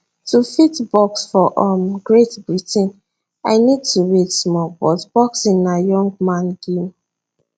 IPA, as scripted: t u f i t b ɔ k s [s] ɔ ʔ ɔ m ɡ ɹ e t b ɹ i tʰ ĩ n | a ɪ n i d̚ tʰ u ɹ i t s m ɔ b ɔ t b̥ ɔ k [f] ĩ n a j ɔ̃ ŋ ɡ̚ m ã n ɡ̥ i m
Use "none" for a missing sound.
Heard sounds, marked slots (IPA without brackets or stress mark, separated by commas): f, s